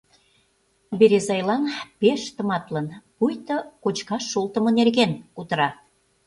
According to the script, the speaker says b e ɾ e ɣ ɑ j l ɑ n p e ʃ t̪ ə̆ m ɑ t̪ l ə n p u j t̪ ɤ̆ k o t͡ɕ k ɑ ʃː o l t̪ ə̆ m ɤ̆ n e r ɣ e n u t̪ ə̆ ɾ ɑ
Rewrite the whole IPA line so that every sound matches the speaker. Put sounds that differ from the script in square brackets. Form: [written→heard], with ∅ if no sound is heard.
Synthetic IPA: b e ɾ e [ɣ→z] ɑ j l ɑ n p e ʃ t̪ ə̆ m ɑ t̪ l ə n p u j t̪ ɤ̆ k o t͡ɕ k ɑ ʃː o l t̪ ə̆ m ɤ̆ n e r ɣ e n u t̪ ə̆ ɾ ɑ